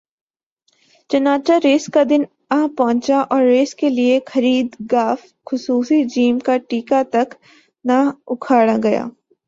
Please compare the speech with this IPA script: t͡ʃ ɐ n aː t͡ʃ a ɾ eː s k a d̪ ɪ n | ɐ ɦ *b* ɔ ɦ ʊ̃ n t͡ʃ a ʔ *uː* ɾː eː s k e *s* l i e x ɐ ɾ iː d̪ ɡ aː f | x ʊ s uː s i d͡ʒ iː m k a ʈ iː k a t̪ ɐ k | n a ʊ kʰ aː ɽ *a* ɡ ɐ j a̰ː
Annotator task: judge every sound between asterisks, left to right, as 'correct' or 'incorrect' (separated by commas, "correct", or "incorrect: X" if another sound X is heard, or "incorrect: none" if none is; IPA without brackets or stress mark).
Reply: incorrect: p, incorrect: ɔː, incorrect: none, correct